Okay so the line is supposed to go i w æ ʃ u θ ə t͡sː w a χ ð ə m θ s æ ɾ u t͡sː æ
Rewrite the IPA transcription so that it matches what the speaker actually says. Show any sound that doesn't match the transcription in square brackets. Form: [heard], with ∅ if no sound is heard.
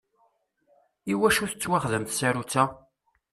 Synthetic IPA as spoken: i w æ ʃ u θ ə t͡sː w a χ ð ə m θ s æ ɾ u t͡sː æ